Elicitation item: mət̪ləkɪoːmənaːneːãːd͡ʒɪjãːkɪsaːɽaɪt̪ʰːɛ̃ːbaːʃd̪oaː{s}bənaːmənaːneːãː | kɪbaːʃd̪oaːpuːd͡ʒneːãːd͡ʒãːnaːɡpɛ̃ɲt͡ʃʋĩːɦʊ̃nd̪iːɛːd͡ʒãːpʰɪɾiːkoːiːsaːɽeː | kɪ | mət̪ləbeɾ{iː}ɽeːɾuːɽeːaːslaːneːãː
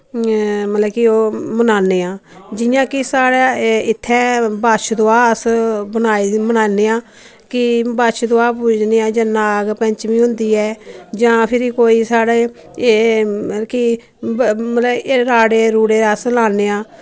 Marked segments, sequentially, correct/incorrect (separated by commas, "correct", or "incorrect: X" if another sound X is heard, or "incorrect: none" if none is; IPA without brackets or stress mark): correct, incorrect: aː